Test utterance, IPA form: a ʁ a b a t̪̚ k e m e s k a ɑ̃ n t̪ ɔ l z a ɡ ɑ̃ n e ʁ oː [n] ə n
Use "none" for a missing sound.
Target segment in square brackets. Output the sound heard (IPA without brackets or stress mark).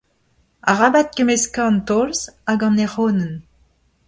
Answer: n